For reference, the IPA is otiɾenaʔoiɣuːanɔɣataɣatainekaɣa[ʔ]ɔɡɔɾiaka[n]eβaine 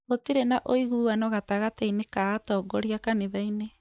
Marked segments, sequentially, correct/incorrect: incorrect: t, correct

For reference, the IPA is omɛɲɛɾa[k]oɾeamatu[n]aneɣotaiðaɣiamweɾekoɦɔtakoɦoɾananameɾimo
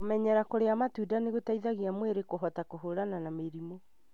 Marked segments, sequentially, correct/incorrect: correct, incorrect: d

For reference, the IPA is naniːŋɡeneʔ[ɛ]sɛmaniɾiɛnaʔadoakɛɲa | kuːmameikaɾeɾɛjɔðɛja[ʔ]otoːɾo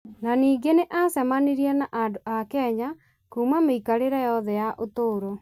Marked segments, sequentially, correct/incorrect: incorrect: a, correct

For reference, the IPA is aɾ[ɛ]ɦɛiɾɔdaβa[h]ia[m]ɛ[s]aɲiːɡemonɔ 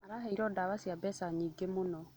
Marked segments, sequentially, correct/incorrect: incorrect: a, incorrect: s, incorrect: b, correct

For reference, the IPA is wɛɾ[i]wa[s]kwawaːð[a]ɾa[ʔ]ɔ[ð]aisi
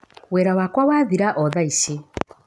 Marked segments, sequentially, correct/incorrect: incorrect: a, incorrect: none, incorrect: i, correct, correct

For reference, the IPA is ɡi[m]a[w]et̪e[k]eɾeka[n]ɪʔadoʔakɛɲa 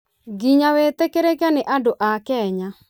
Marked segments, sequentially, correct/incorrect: incorrect: ɲ, correct, correct, correct

